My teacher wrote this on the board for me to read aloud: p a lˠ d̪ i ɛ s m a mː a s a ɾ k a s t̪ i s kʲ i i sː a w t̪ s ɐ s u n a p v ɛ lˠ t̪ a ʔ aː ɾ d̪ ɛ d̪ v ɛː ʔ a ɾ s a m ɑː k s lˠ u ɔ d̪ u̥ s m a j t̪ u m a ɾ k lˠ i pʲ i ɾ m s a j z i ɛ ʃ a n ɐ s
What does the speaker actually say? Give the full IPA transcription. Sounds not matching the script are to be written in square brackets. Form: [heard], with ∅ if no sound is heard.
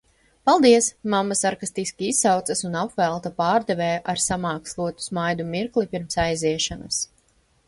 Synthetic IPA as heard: p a lˠ d̪ i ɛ s m a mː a s a ɾ k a s t̪ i s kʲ i i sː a w t̪ s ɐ s u n a p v ɛ lˠ t̪ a [p] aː ɾ d̪ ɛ [∅] v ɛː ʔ a ɾ s a m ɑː k s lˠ u ɔ [t̪] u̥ s m a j [d̪] u m [i] ɾ k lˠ i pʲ i ɾ m s a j z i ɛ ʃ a n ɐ s

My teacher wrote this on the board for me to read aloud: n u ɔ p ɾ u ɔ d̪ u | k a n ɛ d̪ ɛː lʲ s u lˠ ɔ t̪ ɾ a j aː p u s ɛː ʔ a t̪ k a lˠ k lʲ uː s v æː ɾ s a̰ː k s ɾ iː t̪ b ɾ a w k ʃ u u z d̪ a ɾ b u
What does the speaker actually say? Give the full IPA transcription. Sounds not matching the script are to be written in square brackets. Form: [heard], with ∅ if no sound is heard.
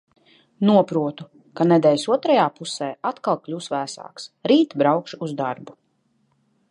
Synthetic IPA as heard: n u ɔ p ɾ u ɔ [t̪] u | k a n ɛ d̪ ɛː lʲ s u [∅] ɔ t̪ ɾ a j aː p u s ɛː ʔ a t̪ k a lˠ k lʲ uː s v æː [∅] s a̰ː k s ɾ iː t̪ b ɾ a w k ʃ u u z d̪ a ɾ b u

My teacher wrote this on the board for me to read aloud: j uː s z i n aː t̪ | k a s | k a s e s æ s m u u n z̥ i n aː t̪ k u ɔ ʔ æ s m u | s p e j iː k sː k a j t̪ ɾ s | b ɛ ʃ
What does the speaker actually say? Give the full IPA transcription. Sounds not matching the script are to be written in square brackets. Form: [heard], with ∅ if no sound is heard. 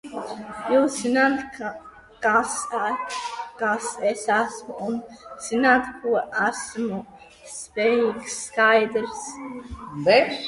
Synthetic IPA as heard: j uː s z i n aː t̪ | k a s | k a s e s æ s m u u n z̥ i n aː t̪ k u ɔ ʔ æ s m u | s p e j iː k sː k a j [d̪] ɾ s | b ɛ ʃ

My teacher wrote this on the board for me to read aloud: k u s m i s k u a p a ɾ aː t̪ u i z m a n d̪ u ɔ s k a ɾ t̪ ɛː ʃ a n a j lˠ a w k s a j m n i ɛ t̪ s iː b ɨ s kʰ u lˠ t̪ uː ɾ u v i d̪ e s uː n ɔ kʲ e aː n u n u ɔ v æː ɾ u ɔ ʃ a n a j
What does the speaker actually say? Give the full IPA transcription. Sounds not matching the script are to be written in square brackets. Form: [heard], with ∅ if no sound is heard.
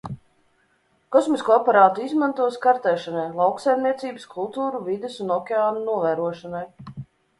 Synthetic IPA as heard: k [ɔ] s m i s k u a p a ɾ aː t̪ u i z m a n [t̪] u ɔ s k a ɾ t̪ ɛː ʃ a n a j lˠ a w k s a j m n i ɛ t̪ s iː b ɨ s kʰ u lˠ t̪ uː ɾ u v i d̪ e s [u] n ɔ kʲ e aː n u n u ɔ v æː ɾ u ɔ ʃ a n a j

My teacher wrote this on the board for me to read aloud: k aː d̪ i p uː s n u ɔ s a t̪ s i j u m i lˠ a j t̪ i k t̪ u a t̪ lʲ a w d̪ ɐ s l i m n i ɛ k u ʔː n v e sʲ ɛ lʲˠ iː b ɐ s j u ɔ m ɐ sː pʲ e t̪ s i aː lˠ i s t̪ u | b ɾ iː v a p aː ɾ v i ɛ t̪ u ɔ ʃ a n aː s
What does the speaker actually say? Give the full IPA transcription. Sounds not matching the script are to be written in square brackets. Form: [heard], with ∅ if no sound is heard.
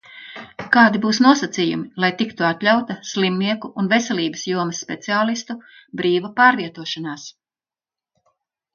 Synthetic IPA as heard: k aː d̪ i [b] uː s n u ɔ s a t̪ s i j u m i lˠ a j t̪ i k t̪ u a t̪ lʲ a w [t̪] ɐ s l i m n i ɛ k u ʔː n v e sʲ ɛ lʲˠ iː b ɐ s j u ɔ m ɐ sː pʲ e t̪ s i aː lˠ i s t̪ u | b ɾ iː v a p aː ɾ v i ɛ t̪ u ɔ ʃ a n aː s

